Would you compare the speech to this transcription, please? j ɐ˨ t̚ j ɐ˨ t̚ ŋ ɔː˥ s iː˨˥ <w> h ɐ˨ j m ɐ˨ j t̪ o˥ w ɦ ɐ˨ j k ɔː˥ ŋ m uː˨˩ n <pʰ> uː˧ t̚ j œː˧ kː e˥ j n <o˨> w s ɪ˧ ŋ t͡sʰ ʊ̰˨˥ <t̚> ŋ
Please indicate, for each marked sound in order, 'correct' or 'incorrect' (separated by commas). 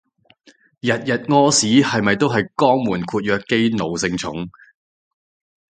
incorrect, incorrect, correct, incorrect